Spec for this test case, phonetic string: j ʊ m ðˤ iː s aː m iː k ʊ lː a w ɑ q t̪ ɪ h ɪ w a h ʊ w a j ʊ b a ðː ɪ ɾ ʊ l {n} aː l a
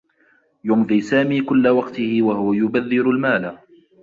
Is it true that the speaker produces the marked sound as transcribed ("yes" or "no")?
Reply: no